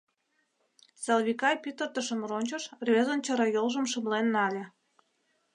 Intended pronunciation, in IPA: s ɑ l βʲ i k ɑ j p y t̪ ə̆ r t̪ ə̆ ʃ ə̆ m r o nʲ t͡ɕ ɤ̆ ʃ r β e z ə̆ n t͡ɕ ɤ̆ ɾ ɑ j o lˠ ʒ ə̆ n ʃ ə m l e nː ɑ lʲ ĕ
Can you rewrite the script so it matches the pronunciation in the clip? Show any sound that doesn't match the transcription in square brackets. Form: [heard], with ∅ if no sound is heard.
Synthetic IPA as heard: s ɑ l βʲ i k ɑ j p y t̪ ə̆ r t̪ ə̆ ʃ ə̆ m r o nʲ t͡ɕ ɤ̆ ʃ r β e z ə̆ n t͡ɕ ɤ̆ ɾ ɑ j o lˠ ʒ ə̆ [m] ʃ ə m l e nː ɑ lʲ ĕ

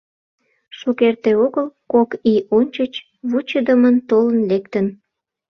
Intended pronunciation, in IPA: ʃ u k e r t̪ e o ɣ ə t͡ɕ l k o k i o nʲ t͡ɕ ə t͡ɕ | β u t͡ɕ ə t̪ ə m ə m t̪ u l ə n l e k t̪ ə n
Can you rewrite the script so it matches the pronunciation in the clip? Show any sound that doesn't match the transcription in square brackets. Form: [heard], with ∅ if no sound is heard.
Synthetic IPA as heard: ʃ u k e r t̪ e o ɣ ə [∅] l k o k i o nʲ t͡ɕ ə t͡ɕ | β u t͡ɕ ə [d̪] ə m ə [n] t̪ [o] l ə n l e k t̪ ə n

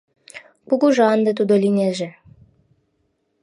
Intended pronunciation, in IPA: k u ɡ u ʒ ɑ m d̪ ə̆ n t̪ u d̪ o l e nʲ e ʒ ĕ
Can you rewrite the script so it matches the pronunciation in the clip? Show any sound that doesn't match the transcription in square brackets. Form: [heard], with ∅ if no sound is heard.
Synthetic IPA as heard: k u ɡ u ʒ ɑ [n] d̪ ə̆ [∅] t̪ u d̪ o l [i] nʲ e ʒ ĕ

